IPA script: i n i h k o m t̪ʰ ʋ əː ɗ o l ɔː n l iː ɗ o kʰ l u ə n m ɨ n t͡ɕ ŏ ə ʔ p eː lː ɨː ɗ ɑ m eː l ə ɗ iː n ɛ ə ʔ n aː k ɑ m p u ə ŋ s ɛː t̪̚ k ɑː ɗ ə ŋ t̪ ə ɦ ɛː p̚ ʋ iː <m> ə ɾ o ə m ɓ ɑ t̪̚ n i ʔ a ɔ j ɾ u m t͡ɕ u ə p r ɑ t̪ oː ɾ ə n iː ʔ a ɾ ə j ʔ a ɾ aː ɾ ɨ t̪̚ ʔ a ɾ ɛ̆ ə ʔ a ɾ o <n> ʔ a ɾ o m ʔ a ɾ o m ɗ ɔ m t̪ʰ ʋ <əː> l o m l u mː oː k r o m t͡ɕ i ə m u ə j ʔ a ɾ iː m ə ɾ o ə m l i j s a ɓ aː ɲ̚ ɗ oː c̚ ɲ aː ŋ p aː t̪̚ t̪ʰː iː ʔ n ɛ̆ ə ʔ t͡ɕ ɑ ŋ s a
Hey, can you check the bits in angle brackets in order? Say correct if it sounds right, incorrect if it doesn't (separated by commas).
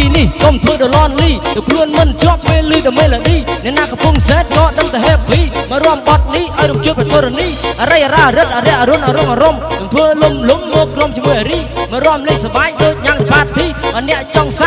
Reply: correct, correct, correct